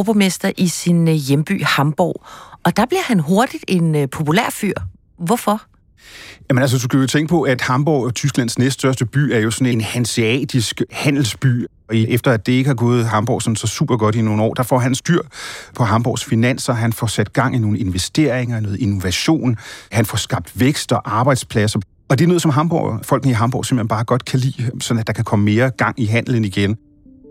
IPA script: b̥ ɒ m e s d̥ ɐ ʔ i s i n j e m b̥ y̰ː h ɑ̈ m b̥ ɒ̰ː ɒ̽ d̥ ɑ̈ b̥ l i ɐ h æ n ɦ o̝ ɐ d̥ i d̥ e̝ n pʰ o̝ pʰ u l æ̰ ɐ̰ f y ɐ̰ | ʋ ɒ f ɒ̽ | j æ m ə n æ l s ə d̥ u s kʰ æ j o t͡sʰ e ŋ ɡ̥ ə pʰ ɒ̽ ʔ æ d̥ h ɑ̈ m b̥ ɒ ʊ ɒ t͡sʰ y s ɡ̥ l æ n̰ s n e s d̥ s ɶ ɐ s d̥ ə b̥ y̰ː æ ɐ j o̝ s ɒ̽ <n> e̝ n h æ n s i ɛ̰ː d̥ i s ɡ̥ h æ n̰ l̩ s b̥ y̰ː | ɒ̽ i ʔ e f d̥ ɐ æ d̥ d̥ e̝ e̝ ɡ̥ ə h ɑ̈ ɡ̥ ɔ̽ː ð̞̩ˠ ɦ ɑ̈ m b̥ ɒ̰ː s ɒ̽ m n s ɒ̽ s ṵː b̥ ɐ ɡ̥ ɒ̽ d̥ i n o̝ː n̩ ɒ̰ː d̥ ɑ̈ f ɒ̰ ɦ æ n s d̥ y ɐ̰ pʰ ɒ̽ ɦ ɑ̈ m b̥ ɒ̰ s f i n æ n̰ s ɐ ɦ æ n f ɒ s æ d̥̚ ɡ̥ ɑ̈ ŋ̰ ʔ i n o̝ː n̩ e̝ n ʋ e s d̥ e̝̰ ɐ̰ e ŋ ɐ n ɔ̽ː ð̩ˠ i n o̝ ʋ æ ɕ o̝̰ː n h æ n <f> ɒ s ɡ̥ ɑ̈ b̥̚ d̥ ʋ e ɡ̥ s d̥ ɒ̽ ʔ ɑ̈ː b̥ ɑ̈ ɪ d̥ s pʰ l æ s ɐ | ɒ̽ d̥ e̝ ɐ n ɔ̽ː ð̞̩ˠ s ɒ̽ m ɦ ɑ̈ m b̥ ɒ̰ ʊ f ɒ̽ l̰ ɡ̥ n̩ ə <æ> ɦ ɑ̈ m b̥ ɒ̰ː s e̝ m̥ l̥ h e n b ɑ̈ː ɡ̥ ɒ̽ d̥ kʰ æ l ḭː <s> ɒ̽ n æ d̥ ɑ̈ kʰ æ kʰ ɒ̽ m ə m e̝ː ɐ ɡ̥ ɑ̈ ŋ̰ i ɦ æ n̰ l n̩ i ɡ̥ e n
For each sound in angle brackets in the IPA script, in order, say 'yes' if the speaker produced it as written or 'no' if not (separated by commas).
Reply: yes, yes, no, yes